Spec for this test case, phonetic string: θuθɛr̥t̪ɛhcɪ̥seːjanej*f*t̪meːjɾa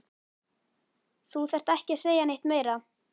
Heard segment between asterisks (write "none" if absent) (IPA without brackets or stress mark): h